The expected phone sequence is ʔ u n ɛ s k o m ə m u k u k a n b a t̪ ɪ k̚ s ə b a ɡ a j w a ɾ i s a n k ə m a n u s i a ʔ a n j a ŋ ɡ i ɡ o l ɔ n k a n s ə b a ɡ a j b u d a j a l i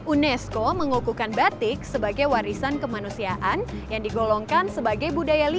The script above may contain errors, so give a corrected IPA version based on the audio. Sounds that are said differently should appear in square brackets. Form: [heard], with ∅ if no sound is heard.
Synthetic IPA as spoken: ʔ u n ɛ s k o m ə [ŋ] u k u k a n b a t̪ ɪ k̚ s ə b a ɡ a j w a ɾ i s a n k ə m a n u s i a ʔ a n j a ŋ [d] i ɡ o l ɔ [ŋ] k a n s ə b a ɡ a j b u d a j a l i